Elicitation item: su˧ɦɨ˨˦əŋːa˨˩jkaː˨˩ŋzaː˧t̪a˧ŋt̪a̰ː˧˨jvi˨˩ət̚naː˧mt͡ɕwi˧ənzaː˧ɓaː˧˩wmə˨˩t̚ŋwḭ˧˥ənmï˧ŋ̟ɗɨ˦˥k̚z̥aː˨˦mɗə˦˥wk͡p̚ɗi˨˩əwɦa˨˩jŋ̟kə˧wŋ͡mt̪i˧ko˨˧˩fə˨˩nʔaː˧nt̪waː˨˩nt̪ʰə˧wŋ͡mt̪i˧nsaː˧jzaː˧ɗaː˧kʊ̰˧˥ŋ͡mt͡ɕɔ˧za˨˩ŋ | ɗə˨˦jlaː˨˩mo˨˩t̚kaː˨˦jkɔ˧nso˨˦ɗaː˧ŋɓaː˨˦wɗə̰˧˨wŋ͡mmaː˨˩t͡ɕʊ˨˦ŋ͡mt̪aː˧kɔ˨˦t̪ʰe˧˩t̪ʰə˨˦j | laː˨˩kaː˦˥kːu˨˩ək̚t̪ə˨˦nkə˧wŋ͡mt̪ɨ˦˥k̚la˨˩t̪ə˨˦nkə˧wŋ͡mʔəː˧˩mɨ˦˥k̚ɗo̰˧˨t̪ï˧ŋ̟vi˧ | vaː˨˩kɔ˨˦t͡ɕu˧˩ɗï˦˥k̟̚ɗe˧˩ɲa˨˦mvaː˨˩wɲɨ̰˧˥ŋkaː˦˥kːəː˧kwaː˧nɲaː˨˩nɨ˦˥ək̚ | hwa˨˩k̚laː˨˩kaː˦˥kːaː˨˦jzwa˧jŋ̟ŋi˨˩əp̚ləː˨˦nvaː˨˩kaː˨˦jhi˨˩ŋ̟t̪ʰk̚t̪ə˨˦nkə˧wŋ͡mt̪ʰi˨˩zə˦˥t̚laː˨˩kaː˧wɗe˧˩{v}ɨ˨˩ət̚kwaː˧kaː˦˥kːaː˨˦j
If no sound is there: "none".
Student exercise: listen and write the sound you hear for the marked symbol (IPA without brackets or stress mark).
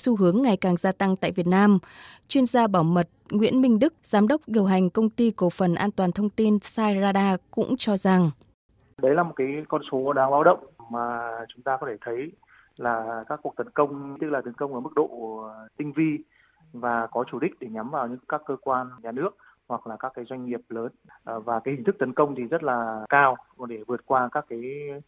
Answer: v